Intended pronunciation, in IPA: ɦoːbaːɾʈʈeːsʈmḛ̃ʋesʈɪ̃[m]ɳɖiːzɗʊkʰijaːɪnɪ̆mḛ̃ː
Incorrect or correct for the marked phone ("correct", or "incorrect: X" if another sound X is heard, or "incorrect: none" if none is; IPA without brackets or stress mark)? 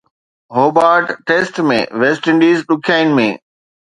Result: incorrect: none